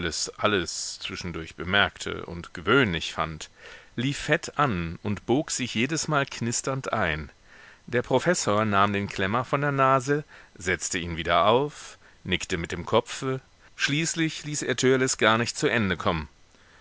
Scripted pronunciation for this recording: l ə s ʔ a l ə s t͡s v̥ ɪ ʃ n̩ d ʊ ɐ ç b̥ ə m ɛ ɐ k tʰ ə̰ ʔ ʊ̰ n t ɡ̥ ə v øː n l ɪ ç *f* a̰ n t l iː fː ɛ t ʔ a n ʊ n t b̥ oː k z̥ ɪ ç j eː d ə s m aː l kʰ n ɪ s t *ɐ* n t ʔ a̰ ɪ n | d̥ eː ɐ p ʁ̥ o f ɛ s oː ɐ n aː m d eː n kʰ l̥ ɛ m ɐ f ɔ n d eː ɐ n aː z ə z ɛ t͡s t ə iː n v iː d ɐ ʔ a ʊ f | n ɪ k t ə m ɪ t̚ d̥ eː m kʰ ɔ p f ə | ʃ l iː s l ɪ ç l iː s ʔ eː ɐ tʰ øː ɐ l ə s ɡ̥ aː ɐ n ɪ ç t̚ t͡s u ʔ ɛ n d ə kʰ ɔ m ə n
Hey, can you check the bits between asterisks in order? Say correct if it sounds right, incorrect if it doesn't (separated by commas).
correct, correct